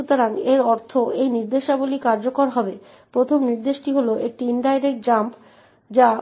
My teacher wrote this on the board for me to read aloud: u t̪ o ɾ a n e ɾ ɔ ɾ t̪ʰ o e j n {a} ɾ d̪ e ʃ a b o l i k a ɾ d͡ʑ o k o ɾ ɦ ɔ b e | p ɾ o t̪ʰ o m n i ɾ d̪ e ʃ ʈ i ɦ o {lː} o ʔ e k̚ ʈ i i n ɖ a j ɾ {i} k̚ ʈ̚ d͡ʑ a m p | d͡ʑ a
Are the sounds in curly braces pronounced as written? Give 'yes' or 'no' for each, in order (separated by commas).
no, no, no